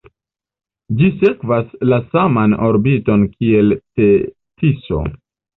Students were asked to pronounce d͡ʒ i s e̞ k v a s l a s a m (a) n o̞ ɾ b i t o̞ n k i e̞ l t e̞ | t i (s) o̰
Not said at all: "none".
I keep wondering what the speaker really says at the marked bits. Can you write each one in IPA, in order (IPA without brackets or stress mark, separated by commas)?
a, s